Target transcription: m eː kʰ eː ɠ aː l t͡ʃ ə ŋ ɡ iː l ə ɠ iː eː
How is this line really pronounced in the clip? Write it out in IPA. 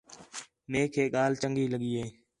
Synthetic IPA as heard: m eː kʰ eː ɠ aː l t͡ʃ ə ŋ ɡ iː l ə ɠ iː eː